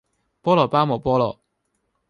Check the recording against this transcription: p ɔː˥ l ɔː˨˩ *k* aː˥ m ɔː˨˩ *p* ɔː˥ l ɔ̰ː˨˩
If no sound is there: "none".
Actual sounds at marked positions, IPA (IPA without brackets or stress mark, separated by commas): p, p